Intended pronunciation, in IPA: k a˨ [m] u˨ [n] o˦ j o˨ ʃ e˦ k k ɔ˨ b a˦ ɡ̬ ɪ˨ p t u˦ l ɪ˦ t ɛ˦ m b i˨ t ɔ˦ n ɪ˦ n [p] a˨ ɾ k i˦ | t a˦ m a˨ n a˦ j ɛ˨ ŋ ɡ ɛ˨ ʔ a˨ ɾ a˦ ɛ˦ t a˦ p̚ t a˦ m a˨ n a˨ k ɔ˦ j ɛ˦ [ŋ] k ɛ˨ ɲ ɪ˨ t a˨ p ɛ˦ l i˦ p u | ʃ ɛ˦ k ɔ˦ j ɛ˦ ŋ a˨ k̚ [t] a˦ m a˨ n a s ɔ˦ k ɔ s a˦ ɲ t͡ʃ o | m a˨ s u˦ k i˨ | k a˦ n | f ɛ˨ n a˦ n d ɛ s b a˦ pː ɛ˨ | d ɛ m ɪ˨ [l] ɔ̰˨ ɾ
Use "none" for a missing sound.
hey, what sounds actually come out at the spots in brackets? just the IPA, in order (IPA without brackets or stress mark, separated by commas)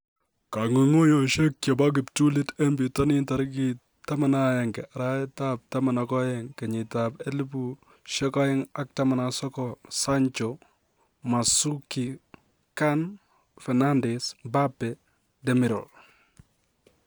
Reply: ŋ, ŋ, t, ŋ, t, ɾ